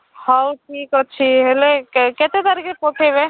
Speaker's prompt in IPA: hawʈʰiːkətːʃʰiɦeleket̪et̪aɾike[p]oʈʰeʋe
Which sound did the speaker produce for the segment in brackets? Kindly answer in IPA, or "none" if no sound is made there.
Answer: p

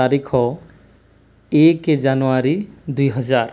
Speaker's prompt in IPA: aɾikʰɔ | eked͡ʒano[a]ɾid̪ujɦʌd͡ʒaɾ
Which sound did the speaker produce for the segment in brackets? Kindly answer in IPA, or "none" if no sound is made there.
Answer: a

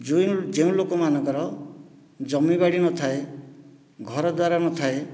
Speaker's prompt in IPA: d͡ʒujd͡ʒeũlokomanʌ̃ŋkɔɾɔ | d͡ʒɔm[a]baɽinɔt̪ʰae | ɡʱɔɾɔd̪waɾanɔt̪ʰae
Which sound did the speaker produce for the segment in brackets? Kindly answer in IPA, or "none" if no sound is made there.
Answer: i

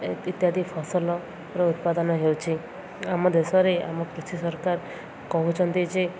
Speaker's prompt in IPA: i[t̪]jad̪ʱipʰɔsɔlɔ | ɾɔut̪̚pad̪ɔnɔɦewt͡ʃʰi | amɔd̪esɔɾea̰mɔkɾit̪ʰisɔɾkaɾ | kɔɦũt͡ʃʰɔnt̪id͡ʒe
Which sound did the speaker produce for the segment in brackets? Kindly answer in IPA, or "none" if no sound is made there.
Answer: t̪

